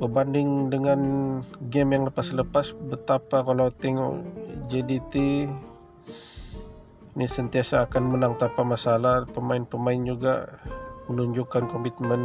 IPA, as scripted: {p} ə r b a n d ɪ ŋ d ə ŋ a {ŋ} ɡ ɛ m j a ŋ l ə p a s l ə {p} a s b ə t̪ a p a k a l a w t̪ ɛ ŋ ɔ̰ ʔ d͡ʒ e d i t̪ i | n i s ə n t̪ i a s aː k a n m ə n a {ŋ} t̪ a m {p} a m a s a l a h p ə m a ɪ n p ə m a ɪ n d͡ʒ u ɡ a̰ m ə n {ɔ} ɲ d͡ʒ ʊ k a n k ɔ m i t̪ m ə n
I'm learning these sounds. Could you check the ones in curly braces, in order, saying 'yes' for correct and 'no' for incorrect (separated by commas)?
no, no, yes, yes, yes, no